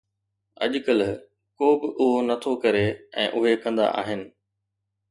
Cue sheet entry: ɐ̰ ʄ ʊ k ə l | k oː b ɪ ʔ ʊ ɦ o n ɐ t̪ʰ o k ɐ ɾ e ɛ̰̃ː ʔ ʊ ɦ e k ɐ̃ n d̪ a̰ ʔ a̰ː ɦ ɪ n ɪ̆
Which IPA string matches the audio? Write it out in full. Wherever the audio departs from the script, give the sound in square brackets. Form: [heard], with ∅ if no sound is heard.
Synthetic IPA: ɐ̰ ʄ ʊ k ə l | k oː b ɪ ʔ ʊ ɦ o n ɐ t̪ʰ o k ɐ ɾ e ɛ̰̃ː ʔ ʊ ɦ e k ɐ̃ n d̪ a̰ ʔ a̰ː ɦ ɪ n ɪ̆